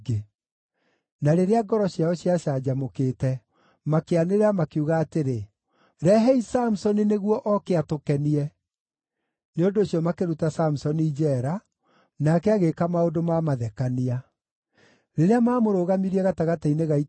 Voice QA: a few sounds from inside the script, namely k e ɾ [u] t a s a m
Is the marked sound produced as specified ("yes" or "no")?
yes